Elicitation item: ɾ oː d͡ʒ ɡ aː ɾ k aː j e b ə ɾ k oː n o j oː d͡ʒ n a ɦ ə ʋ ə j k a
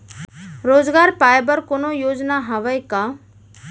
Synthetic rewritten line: ɾ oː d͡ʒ ɡ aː ɾ p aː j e b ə ɾ k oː n o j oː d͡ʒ n a ɦ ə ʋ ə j k a